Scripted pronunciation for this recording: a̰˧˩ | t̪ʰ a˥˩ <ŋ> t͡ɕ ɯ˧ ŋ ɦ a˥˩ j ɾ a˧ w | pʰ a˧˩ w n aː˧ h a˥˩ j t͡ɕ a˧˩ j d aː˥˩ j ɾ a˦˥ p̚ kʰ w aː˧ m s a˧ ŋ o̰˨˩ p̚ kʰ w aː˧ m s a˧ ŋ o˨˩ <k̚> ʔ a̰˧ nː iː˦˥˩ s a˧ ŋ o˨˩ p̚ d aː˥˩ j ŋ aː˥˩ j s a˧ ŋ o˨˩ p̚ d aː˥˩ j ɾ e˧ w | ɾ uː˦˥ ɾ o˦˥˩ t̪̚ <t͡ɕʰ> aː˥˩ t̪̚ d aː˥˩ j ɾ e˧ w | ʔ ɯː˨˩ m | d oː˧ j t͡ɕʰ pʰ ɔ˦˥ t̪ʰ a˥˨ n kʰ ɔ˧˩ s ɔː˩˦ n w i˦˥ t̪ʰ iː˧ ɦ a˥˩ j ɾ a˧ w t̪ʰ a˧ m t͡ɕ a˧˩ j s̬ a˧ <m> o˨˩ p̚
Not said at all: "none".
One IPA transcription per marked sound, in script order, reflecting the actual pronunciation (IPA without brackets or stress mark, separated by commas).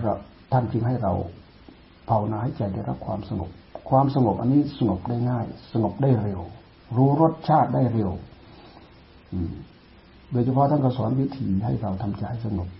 n, p̚, t͡ɕʰ, ŋ